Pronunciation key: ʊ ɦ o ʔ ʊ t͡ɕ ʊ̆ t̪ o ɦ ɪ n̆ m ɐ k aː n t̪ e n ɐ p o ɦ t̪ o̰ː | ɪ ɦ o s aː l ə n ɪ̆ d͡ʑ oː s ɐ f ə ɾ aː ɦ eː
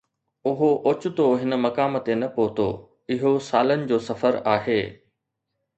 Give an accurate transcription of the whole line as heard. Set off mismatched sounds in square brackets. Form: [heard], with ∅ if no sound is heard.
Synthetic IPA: ʊ ɦ o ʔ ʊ t͡ɕ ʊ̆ t̪ o ɦ ɪ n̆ m ɐ k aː [m] t̪ e n ɐ p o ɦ t̪ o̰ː | ɪ ɦ o s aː l ə n ɪ̆ d͡ʑ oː s ɐ f ə ɾ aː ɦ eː